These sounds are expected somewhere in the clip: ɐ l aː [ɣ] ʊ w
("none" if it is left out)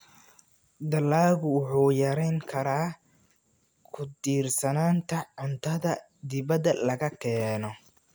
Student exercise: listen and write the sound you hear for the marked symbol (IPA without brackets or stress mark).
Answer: ɣ